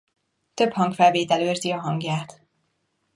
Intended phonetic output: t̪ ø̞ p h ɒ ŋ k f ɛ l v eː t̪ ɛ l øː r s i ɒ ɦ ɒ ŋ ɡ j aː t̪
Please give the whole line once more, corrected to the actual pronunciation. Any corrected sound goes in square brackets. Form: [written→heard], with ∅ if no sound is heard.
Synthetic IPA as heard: t̪ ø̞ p h ɒ ŋ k f ɛ l v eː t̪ ɛ l øː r [s→z] i ɒ ɦ ɒ ŋ ɡ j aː t̪